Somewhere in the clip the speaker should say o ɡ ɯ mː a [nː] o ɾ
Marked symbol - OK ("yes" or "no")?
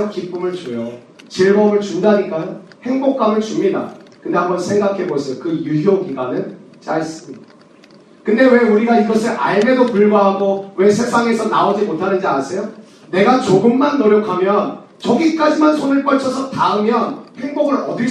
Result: yes